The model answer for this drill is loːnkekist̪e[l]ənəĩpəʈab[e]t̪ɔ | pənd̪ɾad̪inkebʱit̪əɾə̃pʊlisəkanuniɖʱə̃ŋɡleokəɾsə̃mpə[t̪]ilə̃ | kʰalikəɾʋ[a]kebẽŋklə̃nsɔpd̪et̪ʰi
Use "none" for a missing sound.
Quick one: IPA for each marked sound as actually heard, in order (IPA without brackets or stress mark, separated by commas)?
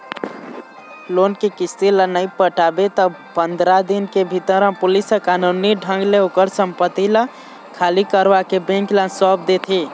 l, e, t̪, a